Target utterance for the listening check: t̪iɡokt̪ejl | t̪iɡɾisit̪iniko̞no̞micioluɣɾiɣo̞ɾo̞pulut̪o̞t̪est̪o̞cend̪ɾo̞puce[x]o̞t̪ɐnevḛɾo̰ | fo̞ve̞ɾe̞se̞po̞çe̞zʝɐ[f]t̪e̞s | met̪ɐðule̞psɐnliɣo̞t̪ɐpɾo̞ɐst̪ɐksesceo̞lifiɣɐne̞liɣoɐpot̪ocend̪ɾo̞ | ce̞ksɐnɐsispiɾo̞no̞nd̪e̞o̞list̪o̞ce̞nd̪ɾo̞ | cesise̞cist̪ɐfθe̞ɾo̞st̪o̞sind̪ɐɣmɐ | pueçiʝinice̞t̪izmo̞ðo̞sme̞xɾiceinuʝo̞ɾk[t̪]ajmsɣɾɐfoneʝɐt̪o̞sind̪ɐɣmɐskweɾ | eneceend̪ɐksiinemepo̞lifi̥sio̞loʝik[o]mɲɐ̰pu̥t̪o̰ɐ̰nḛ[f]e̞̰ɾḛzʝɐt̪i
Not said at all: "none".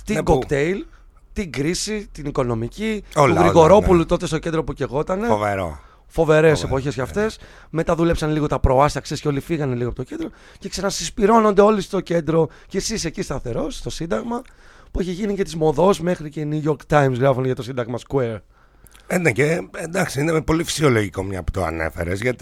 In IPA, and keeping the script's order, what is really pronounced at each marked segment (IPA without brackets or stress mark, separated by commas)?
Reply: ɣ, f, t̪, o, f